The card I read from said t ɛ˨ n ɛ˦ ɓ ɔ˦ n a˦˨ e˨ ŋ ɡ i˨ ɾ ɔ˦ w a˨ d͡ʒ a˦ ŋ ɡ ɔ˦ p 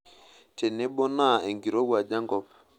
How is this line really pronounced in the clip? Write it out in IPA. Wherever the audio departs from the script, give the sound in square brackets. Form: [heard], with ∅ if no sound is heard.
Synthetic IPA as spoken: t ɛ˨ n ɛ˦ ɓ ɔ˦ n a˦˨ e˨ ŋ ɡ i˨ ɾ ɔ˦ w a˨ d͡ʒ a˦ ŋ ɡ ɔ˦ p